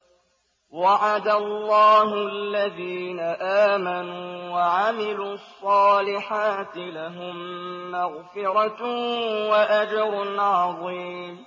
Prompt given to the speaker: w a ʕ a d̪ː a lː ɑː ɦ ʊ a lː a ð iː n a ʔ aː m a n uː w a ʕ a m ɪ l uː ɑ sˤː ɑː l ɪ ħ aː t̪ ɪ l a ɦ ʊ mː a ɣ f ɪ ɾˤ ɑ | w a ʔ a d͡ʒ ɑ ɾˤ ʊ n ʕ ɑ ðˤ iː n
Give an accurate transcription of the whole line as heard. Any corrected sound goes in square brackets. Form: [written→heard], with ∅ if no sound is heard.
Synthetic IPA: w a ʕ a [d̪ː→d̪] a lː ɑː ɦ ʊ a lː a ð iː n a ʔ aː m a n uː w a ʕ a m ɪ l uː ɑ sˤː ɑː l ɪ ħ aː t̪ ɪ l a ɦ ʊ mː a ɣ f ɪ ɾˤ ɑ | w a ʔ a d͡ʒ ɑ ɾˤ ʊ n ʕ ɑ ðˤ iː [n→m]